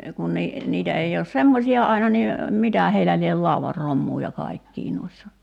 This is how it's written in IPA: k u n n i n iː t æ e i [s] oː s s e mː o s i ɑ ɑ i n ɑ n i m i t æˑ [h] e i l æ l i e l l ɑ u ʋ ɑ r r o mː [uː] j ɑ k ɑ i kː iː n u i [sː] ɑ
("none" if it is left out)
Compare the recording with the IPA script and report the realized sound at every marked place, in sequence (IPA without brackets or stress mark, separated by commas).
none, h, uː, sː